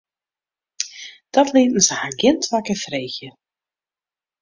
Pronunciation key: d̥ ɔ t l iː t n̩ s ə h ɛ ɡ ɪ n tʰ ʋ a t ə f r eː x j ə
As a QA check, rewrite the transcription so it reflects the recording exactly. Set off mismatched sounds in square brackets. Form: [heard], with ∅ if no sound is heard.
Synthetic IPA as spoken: d̥ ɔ t l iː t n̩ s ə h [a] ɡ ɪ n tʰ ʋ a [k] ə f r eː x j ə